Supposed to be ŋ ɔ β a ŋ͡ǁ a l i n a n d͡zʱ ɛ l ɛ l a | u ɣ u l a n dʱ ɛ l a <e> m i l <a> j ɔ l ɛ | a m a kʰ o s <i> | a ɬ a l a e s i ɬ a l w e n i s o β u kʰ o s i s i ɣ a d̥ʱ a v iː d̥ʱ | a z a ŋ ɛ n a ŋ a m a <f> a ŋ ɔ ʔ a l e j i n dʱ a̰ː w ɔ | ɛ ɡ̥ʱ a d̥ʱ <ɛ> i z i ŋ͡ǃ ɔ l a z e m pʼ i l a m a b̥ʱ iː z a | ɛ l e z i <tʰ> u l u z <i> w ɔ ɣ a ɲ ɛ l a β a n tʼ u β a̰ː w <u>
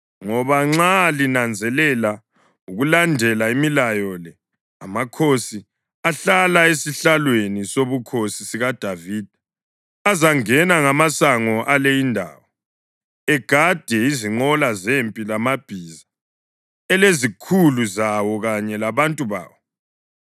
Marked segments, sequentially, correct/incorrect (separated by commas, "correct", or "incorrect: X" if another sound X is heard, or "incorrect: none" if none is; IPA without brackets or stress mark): incorrect: i, correct, correct, incorrect: s, correct, incorrect: kʰ, incorrect: a, incorrect: ɔ